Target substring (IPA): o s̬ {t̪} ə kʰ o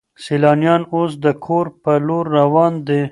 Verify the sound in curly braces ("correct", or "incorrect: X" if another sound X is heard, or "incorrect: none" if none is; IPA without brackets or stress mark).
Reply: incorrect: d̪